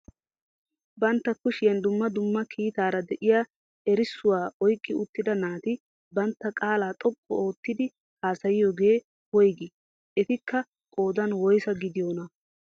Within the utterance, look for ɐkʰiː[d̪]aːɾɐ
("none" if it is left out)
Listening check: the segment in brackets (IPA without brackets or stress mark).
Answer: t̪